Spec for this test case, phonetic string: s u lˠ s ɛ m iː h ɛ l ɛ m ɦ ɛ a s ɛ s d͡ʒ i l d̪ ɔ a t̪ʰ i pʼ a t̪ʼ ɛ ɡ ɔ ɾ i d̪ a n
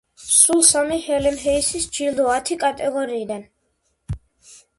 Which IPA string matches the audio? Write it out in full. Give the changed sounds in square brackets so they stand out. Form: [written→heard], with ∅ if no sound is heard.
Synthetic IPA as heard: s u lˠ s [ɛ→a] m [iː→i] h ɛ l ɛ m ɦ ɛ [a→i] s [ɛ→i] s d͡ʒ i l d̪ ɔ a t̪ʰ i [pʼ→kʼ] a t̪ʼ ɛ ɡ ɔ ɾ [i→iː] d̪ a n